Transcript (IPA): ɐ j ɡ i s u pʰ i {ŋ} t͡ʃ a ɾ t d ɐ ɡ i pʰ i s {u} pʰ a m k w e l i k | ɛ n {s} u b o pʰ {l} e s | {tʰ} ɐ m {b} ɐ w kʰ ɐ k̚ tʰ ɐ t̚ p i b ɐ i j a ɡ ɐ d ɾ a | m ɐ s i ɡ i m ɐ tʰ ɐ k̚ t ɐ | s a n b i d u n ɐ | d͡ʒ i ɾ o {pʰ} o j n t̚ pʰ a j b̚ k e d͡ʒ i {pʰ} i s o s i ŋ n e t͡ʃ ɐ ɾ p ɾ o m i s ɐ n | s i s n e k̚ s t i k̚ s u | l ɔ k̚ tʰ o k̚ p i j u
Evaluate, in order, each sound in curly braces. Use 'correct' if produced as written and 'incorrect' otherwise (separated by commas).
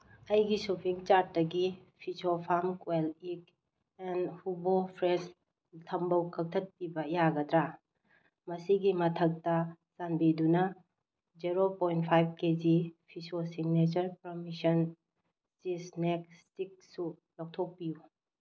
correct, incorrect, incorrect, incorrect, correct, correct, incorrect, correct